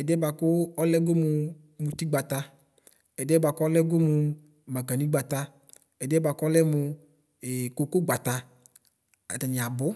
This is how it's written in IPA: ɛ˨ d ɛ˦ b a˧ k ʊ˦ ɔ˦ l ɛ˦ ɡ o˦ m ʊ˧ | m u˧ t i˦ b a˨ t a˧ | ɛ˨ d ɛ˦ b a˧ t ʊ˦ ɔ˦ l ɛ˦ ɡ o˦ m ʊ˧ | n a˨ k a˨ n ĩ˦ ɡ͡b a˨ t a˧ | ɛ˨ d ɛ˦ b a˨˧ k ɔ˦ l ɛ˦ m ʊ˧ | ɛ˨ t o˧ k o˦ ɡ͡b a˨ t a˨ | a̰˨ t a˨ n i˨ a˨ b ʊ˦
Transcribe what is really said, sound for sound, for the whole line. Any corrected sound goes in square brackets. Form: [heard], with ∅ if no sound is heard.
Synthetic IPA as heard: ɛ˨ d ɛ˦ b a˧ k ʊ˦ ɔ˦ l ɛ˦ ɡ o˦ m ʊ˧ | m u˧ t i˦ [ɡ͡b] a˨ t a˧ | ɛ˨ d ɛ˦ b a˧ [k] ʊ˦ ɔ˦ l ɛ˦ ɡ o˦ m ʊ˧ | [m] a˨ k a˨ n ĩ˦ ɡ͡b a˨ t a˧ | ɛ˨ d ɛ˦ b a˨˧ k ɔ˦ l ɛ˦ m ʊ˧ | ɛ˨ [k] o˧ k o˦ ɡ͡b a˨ t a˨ | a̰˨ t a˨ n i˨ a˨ b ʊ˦